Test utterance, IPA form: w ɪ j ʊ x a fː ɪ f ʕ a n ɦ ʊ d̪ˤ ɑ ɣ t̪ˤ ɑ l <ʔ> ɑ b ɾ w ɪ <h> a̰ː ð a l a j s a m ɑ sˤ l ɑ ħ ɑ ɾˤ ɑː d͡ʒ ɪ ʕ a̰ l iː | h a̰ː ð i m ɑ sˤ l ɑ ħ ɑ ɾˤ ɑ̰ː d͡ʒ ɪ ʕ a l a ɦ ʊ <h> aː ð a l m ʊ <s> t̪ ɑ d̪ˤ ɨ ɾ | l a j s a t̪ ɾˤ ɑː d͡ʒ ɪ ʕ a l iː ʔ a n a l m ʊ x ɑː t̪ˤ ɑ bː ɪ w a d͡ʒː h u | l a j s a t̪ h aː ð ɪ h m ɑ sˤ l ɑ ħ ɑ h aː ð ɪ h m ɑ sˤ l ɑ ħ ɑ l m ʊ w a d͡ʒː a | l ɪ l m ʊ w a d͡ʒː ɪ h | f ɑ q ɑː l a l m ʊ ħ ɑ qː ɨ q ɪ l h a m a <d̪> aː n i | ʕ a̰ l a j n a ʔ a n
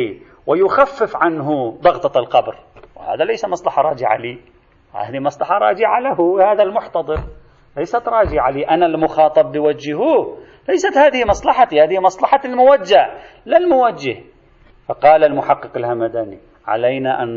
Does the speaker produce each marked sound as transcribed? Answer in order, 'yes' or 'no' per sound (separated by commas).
no, yes, yes, no, yes